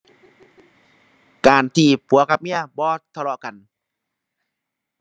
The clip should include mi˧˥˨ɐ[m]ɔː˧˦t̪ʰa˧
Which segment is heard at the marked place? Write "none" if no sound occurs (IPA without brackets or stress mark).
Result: b